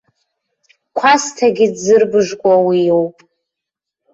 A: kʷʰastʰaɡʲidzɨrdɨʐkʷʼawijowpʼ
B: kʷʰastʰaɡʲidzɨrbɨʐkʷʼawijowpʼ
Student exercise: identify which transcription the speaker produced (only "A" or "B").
B